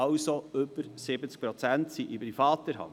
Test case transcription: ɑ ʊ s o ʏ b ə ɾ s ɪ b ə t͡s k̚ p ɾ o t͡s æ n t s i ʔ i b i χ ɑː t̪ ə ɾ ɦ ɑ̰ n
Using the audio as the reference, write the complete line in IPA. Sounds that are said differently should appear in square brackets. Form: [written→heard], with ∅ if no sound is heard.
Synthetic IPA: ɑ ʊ s o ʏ b ə ɾ s ɪ b ə t͡s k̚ p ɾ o t͡s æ n t s i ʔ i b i [χ→f] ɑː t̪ ə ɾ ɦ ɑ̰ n